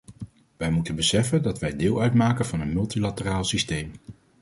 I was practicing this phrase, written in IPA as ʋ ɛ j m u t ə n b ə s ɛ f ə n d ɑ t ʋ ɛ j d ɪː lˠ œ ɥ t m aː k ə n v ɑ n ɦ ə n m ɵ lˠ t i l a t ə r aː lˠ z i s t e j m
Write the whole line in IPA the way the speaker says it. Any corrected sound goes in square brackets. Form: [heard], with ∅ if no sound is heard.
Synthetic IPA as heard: ʋ ɛ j m u t ə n b ə s ɛ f ə n d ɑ t ʋ ɛ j d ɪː lˠ œ ɥ t m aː k ə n v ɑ n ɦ ə n m ɵ lˠ t i l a t ə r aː lˠ [s] i s t e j m